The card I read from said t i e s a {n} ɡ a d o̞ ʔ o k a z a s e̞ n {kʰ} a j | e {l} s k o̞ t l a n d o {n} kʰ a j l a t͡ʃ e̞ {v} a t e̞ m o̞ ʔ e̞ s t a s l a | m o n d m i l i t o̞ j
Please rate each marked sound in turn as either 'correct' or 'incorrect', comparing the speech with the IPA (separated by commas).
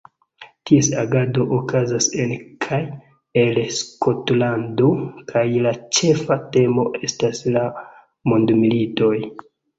incorrect, correct, correct, incorrect, incorrect